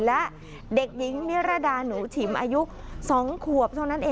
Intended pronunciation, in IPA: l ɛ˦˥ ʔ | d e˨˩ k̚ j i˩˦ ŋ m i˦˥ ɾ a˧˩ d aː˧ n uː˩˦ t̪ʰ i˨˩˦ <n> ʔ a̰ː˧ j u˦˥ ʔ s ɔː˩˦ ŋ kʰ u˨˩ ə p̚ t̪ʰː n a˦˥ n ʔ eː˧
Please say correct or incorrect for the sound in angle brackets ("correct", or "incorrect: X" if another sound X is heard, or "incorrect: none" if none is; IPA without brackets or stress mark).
incorrect: m